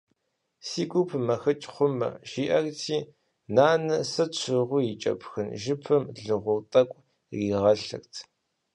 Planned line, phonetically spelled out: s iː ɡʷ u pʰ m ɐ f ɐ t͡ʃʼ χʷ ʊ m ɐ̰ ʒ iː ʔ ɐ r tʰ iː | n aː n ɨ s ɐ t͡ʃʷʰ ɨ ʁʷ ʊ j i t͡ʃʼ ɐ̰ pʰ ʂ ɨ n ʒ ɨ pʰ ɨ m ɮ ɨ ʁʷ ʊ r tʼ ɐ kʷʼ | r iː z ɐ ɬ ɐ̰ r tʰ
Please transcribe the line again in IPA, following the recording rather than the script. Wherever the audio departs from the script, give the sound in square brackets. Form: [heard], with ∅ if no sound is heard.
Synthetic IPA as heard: s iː ɡʷ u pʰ m ɐ [x] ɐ t͡ʃʼ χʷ ʊ m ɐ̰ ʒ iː ʔ ɐ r tʰ iː | n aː n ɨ s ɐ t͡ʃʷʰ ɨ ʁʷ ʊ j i t͡ʃʼ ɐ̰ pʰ [x] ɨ n ʒ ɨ pʰ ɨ m ɮ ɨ ʁʷ ʊ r tʼ ɐ kʷʼ | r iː [ʁ] ɐ ɬ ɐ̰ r tʰ